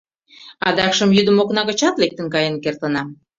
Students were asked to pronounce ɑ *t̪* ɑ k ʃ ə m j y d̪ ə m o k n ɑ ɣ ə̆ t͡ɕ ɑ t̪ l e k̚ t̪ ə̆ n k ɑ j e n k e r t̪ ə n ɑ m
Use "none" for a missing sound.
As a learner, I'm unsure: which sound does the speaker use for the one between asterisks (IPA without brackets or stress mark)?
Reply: d̪